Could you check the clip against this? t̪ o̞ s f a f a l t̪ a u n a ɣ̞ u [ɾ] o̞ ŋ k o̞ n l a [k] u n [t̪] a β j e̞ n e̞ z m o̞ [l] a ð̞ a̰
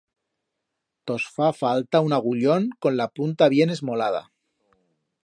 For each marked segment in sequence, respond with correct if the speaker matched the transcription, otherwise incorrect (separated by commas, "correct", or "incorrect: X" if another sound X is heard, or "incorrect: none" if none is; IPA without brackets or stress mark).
incorrect: ʎ, incorrect: p, correct, correct